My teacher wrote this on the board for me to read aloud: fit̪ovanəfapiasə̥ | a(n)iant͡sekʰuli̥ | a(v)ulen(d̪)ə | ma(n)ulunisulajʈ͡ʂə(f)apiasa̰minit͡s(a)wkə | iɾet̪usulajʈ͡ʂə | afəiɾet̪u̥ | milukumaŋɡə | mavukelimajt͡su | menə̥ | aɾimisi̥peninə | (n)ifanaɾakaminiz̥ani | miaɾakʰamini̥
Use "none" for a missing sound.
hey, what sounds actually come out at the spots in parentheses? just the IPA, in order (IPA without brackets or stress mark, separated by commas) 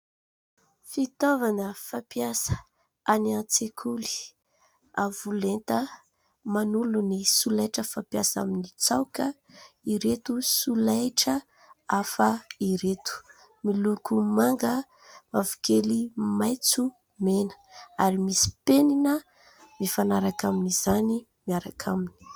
n, v, t̪, n, f, a, m